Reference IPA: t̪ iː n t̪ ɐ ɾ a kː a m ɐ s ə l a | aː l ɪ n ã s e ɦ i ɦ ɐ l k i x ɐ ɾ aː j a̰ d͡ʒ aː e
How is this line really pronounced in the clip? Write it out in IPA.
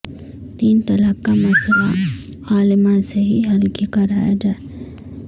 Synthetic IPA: t̪ iː n t̪ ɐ l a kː a m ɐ s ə l a | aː l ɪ m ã s e ɦ i ɦ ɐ l k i k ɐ ɾ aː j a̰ d͡ʒ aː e